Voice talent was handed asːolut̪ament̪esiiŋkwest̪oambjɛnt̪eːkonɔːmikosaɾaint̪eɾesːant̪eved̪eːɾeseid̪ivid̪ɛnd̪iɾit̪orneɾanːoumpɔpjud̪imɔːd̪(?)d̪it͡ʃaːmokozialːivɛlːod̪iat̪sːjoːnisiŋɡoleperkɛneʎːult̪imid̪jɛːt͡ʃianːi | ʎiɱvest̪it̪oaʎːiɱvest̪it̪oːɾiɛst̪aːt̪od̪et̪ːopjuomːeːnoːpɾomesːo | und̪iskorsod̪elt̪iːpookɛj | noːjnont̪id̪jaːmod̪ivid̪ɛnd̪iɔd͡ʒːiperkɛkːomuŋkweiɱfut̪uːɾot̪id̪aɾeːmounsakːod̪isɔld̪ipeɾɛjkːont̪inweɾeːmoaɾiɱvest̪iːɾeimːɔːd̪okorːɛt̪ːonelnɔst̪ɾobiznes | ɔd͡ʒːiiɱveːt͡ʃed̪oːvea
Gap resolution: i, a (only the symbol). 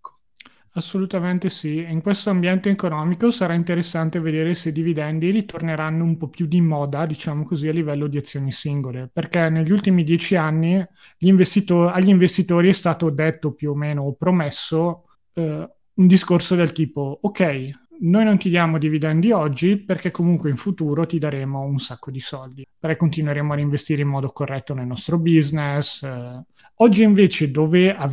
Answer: a